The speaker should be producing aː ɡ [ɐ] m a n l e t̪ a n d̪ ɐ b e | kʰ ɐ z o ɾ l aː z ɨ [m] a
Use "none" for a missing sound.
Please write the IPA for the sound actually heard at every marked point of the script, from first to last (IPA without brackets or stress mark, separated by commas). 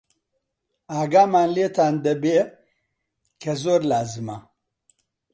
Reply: a, m